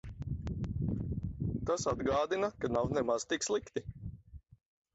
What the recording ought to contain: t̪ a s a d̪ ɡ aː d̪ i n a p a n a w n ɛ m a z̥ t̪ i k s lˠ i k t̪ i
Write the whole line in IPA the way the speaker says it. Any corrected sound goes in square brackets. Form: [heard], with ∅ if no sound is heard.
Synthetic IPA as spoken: t̪ a s a d̪ ɡ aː d̪ i n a [k] a n a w n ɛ m a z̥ t̪ i k s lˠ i k t̪ i